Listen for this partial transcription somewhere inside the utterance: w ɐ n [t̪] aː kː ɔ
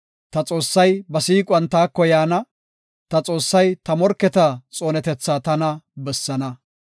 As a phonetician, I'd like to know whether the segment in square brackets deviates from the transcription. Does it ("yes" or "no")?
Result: no